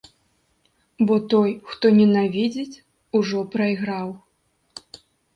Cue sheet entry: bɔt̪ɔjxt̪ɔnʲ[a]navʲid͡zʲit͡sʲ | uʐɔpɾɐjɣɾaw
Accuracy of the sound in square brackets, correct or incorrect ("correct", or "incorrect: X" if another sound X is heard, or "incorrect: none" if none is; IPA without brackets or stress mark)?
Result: incorrect: ɛ